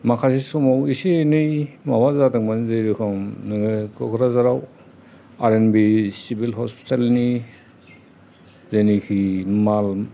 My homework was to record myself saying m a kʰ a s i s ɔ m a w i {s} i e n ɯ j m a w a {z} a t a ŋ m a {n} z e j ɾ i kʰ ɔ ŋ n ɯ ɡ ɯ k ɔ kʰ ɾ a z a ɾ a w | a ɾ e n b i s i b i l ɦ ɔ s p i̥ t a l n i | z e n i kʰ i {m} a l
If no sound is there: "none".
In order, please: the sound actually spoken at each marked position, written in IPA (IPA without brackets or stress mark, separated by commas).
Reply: s, z, n, m